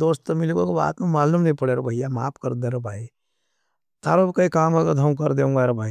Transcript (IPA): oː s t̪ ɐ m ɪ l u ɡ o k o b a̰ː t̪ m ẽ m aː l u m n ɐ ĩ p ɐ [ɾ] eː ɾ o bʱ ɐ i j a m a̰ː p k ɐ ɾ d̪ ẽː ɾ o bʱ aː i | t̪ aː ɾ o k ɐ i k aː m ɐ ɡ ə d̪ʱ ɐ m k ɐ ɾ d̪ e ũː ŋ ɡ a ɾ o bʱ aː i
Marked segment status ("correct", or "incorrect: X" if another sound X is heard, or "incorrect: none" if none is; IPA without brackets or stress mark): incorrect: ɽ